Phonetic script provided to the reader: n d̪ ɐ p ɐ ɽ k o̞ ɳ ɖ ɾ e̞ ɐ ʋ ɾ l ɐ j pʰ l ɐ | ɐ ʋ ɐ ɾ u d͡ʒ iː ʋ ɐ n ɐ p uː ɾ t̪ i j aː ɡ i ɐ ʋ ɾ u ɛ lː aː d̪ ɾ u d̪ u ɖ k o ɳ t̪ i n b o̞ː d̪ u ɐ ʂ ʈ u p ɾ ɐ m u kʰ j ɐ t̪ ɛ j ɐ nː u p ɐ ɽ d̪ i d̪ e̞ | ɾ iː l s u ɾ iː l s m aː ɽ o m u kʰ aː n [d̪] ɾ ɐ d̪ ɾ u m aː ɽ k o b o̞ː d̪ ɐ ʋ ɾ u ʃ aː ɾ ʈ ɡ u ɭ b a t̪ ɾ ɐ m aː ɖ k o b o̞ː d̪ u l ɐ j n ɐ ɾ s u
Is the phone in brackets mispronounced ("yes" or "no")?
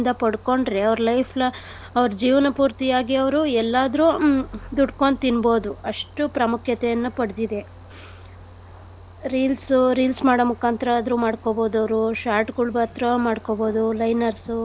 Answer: yes